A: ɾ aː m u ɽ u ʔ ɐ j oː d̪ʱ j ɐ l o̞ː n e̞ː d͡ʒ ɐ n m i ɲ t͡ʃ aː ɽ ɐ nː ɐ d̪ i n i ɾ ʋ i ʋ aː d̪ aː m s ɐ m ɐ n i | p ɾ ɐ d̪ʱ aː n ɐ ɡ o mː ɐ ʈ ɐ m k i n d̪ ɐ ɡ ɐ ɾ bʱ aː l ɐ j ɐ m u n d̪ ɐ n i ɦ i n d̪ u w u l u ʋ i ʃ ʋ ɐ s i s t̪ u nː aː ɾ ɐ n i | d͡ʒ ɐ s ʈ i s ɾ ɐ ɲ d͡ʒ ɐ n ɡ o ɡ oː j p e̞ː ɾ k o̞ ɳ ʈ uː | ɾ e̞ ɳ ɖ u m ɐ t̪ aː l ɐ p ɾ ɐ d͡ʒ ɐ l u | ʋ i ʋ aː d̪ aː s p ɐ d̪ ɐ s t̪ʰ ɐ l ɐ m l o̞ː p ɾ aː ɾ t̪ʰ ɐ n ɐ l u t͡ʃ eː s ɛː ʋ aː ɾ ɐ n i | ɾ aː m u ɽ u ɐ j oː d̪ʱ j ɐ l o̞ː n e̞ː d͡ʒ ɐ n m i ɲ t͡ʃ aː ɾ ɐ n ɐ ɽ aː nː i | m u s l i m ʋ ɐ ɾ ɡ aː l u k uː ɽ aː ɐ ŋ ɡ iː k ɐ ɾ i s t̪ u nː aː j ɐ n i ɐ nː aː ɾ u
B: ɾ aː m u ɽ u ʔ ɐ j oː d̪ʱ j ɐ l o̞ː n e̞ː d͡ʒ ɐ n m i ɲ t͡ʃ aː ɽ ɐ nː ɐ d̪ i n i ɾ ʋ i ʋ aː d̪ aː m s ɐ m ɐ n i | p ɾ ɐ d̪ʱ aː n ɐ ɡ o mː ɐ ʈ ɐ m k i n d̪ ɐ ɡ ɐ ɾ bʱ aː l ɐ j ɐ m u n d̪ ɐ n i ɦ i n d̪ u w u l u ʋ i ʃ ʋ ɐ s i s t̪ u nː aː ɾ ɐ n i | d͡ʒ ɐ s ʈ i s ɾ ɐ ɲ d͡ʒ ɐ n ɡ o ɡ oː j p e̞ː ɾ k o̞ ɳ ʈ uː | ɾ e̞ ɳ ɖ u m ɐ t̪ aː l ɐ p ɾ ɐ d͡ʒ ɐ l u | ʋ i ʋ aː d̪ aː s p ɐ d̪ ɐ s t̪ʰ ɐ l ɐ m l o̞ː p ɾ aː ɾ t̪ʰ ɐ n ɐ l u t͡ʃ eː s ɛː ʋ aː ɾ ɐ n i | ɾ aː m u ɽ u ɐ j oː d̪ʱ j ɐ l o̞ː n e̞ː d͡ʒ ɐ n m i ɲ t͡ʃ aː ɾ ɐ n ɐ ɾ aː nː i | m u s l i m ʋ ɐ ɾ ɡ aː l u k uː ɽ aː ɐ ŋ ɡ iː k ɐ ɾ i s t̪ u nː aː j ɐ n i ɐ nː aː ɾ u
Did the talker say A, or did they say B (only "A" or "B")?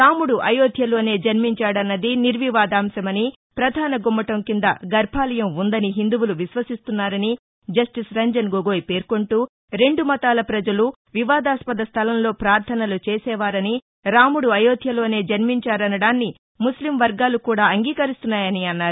A